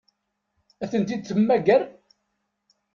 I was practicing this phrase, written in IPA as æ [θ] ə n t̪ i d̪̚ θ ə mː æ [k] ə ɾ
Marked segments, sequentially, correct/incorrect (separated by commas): correct, incorrect